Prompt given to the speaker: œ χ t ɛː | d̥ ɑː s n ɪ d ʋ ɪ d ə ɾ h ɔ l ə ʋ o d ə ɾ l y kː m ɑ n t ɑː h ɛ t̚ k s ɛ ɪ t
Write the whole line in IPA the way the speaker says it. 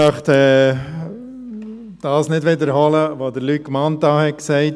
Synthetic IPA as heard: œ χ t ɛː | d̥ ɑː s n ɪ d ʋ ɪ d ə ɾ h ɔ l ə ʋ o d ə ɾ l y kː m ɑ n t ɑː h ɛ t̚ k s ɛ ɪ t